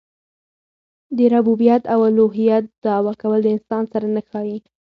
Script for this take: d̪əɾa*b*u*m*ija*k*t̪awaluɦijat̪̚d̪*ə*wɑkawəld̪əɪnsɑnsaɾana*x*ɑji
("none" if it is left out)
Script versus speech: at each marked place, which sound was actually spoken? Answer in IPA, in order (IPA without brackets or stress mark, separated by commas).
b, b, none, ɑ, x